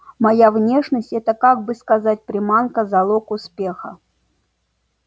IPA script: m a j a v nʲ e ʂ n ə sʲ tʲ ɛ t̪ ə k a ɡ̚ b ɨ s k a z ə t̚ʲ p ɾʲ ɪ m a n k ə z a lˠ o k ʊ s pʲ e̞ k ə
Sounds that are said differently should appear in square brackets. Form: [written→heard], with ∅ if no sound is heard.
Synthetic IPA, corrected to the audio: m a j a v nʲ e ʂ n ə sʲ tʲ ɛ t̪ ə k a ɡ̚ b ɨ s k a z [ə→a] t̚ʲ p ɾʲ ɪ m a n k ə z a lˠ o k ʊ s pʲ e̞ [k→x] ə